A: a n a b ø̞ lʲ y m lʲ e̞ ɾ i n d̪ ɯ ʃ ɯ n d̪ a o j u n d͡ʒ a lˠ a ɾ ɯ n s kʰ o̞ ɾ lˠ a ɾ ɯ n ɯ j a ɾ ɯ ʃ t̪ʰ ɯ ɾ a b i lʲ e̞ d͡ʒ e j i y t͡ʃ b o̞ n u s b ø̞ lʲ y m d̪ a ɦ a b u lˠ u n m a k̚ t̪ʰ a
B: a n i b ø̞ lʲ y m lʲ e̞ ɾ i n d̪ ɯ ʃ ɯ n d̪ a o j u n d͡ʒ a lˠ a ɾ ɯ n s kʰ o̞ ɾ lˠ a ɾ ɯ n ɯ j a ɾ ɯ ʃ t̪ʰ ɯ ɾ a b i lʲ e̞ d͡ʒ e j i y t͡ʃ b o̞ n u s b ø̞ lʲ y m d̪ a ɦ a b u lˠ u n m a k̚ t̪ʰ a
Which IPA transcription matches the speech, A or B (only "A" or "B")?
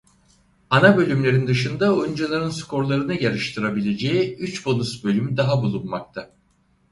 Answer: A